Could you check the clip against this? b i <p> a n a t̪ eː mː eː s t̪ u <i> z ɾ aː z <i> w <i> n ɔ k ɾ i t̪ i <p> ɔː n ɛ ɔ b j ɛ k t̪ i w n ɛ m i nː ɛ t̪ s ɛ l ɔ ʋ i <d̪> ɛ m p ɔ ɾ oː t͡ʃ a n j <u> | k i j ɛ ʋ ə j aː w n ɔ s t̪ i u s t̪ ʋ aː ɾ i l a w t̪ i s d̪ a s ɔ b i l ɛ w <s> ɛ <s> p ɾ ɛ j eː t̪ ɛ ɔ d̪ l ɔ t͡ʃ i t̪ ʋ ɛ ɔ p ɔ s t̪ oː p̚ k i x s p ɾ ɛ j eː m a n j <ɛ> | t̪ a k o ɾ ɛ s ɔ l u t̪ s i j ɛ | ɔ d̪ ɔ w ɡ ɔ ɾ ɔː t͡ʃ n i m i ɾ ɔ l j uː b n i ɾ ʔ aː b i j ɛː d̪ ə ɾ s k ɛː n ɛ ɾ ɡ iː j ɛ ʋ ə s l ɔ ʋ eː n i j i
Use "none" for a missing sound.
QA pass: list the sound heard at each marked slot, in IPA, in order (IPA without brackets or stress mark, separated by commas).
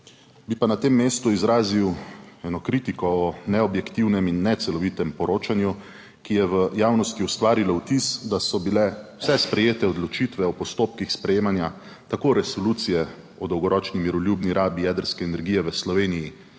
p, i, i, ɛ, k, t̪, u, s, s, a